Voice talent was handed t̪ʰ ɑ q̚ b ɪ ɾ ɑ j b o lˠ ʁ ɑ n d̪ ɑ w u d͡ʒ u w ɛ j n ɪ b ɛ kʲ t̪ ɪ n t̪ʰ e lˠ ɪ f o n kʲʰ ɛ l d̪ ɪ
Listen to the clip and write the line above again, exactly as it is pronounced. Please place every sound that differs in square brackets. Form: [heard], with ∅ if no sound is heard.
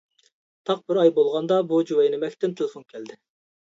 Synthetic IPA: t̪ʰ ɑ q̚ b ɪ ɾ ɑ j b o lˠ ʁ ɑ n d̪ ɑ [b] u d͡ʒ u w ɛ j n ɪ [m] ɛ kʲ t̪ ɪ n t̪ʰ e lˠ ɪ f o n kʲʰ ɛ l d̪ ɪ